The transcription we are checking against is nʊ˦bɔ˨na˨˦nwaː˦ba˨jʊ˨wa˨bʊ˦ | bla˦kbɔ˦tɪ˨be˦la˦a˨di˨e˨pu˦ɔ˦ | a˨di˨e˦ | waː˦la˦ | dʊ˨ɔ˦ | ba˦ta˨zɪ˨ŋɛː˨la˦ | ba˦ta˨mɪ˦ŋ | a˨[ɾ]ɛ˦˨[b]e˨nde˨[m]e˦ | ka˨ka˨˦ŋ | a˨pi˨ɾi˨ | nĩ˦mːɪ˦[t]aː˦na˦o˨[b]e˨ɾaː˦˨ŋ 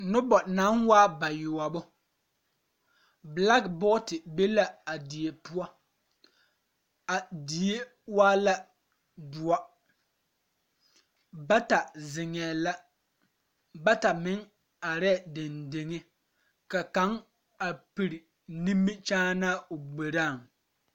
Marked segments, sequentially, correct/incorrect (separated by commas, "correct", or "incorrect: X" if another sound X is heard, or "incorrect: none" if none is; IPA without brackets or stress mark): correct, incorrect: d, incorrect: ŋ, incorrect: t͡ʃ, incorrect: ɡ͡b